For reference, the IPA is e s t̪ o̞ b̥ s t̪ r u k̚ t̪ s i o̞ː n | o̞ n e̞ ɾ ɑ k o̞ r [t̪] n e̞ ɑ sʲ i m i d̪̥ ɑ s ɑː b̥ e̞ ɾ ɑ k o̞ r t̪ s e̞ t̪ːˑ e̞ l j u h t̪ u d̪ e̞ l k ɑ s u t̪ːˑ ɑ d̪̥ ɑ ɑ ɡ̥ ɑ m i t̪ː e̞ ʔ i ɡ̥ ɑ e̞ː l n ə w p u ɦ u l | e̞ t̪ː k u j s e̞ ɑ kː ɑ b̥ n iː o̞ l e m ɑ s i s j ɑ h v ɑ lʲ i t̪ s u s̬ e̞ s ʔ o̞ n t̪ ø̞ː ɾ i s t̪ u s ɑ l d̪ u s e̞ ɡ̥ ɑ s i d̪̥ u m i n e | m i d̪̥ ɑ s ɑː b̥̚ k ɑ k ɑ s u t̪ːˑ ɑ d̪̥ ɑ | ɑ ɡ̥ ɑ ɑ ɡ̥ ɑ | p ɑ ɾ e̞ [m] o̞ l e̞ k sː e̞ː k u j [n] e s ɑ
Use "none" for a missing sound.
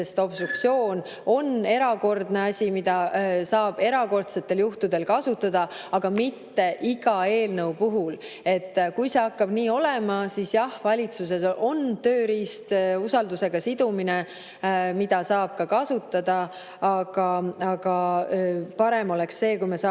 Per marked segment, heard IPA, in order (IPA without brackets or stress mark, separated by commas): d̪, m, m